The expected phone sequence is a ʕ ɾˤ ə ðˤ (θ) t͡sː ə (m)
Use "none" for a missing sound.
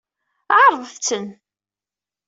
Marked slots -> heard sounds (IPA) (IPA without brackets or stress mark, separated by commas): θ, n